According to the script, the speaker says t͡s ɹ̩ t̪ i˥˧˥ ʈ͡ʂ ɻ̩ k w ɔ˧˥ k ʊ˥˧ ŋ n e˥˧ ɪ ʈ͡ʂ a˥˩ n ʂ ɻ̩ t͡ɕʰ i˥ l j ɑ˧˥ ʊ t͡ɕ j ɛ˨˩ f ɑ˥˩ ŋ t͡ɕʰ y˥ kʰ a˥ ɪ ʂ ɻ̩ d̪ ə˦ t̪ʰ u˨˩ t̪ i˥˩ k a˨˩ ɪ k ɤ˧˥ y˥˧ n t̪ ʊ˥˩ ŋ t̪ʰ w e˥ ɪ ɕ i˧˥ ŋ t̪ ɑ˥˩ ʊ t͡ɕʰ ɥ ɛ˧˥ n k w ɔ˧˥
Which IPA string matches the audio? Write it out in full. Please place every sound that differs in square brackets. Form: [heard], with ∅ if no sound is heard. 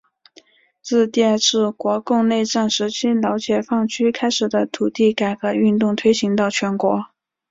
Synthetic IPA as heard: t͡s ɹ̩ t̪ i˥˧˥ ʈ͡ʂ ɻ̩ k w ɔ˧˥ k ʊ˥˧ ŋ n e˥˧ ɪ ʈ͡ʂ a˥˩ n ʂ ɻ̩ t͡ɕʰ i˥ l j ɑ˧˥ ʊ t͡ɕ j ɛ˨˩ f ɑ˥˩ ŋ t͡ɕʰ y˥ kʰ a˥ ɪ ʂ ɻ̩ d̪ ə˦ t̪ʰ u˨˩ t̪ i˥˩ k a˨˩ ɪ k ɤ˧˥ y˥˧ n t̪ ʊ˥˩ ŋ t̪ʰ w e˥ ɪ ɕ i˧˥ ŋ t̪ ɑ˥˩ ʊ t͡ɕʰ ɥ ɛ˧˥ n k w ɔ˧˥